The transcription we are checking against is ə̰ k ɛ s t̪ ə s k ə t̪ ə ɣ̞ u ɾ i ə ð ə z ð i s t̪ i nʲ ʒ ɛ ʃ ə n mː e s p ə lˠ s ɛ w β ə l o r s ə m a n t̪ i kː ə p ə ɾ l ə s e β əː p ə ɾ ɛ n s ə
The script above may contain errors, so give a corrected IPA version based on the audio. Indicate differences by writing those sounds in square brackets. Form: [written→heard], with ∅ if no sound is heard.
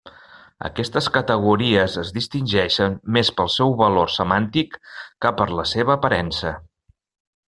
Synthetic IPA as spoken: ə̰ k ɛ s t̪ ə s k ə t̪ ə ɣ̞ u ɾ i ə [ð→z] ə z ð i s t̪ i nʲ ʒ ɛ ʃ ə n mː e s p ə lˠ s ɛ w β ə l o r s ə m a n t̪ i kː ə p ə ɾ l ə s e β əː p ə ɾ ɛ n s ə

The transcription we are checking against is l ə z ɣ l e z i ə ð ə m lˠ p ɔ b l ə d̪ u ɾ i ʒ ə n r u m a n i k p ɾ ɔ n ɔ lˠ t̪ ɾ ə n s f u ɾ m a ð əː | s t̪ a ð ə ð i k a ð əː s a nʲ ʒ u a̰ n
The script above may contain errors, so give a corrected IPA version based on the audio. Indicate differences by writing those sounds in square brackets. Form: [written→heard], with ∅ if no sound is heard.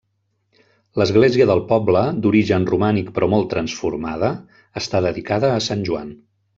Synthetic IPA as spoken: l ə z ɣ l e z i ə ð ə [m→∅] lˠ p ɔ b l ə d̪ u ɾ i ʒ ə n r u m a n i k p ɾ ɔ [n→m] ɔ lˠ t̪ ɾ ə n s f u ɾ m a ð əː | s t̪ a ð ə ð i k a ð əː s a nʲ ʒ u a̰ n

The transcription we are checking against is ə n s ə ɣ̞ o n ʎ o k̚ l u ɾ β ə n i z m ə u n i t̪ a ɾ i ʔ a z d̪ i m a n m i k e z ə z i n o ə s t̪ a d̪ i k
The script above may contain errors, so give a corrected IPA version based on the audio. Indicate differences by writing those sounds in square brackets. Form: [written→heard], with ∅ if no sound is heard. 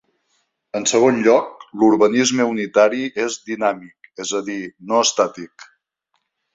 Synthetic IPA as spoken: ə n s ə ɣ̞ o n ʎ [o→ɔ] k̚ l u ɾ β ə n i z m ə u n i t̪ a ɾ i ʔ [a→e] z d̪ i [m→n] a [n→∅] m i k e z ə [z→ð] i n o ə s t̪ a [d̪→t̪] i k

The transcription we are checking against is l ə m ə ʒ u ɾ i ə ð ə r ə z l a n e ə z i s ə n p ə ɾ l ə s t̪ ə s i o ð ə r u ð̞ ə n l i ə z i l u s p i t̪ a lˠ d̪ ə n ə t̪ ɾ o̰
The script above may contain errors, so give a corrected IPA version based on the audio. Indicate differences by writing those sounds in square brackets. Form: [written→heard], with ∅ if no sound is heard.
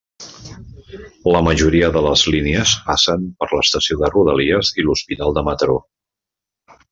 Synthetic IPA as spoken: l ə m ə ʒ u ɾ i ə ð ə [r→l] ə z l [a→i] n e ə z [i→a] s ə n p ə ɾ l ə s t̪ ə s i o ð ə r u ð̞ ə [n→∅] l i ə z i l u s p i t̪ a lˠ d̪ ə [n→m] ə t̪ ɾ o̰

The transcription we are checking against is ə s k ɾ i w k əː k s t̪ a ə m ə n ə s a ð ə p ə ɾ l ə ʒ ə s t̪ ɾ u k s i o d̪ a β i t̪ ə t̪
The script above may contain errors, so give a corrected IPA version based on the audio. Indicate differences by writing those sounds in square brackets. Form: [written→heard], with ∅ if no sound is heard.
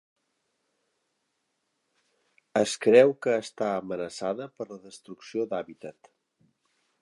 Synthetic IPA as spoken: ə s k ɾ [i→ɛ] w k əː [k→∅] s t̪ a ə m ə n ə s a ð ə p ə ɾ l ə [ʒ→ð] ə s t̪ ɾ u k s i o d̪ a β i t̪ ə t̪

